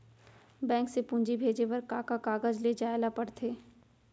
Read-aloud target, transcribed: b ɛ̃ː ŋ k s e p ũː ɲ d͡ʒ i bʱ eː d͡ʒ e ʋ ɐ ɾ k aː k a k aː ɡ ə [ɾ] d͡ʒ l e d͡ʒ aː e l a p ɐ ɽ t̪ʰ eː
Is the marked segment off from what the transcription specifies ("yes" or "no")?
yes